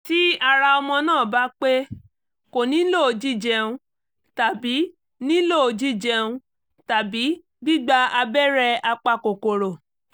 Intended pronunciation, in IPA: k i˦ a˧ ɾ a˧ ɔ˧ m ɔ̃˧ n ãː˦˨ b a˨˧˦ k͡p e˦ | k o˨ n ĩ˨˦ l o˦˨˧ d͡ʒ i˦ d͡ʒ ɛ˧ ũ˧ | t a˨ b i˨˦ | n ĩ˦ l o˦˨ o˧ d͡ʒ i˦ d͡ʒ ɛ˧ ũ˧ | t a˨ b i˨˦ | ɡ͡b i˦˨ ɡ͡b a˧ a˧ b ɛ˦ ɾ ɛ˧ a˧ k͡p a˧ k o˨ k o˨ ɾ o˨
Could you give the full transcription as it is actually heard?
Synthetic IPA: t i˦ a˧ ɾ a˧ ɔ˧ m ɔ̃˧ n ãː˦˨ b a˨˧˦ k͡p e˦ | k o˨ n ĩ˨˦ l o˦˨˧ d͡ʒ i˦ d͡ʒ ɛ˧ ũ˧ | t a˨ b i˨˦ | n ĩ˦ l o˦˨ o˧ d͡ʒ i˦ d͡ʒ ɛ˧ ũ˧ | t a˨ b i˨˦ | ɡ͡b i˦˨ ɡ͡b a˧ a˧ b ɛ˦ ɾ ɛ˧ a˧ k͡p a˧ k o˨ k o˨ ɾ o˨